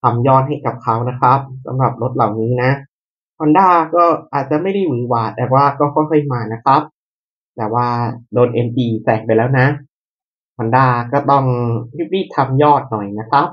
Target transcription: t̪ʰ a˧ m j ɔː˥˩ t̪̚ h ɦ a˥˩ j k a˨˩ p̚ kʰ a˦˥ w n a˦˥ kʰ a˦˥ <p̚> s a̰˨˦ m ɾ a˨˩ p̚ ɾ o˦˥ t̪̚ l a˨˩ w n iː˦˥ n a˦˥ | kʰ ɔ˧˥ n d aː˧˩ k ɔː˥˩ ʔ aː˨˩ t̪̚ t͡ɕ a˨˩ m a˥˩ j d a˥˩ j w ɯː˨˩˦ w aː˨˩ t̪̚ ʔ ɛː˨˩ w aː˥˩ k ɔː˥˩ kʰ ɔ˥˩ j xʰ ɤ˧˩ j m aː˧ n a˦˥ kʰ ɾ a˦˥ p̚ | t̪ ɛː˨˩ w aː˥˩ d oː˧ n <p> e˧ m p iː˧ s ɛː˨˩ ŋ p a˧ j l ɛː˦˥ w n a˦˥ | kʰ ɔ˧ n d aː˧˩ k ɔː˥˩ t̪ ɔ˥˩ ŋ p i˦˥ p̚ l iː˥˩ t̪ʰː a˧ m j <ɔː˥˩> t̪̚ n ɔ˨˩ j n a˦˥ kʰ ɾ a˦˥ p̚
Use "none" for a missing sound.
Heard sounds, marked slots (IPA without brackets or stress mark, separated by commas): p̚, ʔ, ɔː˥˩